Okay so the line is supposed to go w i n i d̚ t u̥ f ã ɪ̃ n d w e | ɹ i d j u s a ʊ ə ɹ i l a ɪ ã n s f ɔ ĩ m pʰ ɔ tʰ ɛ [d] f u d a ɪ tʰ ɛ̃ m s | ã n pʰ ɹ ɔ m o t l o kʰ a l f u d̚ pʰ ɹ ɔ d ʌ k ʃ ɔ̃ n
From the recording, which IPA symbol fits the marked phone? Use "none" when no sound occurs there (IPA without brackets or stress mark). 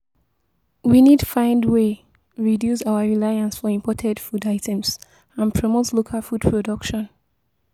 d